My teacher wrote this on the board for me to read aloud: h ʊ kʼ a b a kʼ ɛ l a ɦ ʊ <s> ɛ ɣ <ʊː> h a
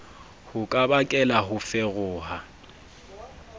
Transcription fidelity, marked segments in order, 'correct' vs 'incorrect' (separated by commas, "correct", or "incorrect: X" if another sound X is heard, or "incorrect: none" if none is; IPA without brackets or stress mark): incorrect: f, correct